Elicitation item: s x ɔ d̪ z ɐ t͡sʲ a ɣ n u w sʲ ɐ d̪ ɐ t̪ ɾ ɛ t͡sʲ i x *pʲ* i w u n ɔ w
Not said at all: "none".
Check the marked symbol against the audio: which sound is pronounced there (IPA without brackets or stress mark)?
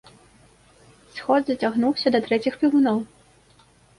pʲ